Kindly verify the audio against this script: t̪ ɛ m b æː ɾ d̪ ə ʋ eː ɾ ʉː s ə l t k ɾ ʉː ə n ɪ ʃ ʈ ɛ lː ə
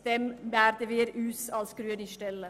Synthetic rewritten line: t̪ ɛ m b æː ɾ d̪ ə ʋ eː ɾ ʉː s ɑ l s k ɾ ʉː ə n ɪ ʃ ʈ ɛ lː ə